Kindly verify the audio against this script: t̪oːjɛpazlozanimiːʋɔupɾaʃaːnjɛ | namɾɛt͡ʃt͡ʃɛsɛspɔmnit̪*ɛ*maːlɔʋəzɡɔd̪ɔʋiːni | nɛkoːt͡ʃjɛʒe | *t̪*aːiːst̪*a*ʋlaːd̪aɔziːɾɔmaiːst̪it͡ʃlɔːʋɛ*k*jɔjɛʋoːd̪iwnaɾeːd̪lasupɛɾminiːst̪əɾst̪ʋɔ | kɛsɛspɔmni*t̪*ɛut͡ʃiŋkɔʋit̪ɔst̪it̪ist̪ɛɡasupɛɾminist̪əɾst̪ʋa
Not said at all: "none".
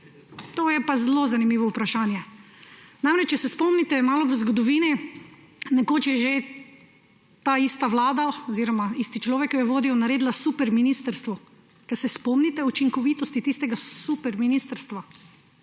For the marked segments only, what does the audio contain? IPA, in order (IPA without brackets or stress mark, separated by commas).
ɛ, t̪, a, k, t̪